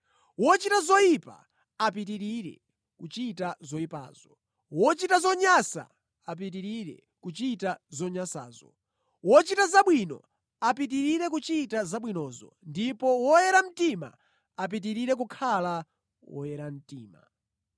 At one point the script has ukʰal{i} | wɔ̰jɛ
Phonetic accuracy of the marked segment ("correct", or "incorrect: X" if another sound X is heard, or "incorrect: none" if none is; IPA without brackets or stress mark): incorrect: a